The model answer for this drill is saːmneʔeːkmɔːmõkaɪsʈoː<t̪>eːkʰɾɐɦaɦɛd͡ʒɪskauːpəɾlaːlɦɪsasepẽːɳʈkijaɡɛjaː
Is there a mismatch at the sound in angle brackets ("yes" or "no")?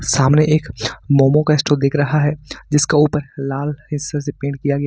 yes